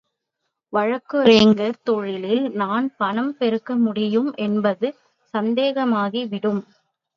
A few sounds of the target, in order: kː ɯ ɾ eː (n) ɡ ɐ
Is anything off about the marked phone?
yes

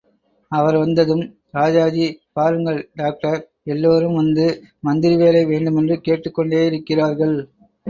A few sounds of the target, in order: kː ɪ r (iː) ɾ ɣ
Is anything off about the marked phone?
yes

